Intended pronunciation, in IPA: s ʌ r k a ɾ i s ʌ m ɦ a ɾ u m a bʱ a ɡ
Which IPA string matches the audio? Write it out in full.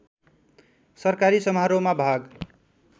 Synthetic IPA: s ʌ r k a ɾ i s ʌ m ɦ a ɾ o m a bʱ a ɡ